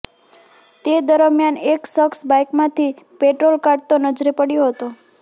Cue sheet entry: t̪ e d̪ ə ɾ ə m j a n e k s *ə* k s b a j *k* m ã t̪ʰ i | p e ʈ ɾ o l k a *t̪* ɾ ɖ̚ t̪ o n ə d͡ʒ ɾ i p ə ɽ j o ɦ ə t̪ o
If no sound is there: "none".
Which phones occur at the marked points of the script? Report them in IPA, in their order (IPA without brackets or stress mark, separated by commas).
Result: ə, k, none